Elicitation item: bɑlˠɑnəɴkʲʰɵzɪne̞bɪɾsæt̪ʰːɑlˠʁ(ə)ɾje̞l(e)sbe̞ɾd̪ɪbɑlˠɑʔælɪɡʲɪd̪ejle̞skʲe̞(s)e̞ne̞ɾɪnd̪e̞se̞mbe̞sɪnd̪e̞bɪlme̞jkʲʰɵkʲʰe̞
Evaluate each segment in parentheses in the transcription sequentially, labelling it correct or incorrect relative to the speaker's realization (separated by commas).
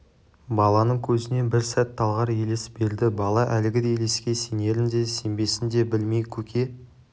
incorrect, correct, correct